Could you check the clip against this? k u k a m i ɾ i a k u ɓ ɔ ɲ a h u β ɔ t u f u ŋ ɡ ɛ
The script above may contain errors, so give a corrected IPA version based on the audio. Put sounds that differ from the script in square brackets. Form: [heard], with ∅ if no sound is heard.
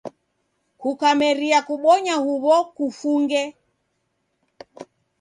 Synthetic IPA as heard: k u k a m [ɛ] ɾ i a k u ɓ ɔ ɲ a h u β ɔ [k] u f u ŋ ɡ ɛ